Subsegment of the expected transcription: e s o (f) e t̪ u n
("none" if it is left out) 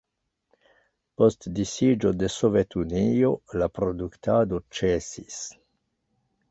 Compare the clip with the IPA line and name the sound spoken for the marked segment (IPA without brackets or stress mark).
v